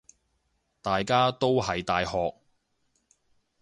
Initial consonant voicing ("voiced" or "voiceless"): voiceless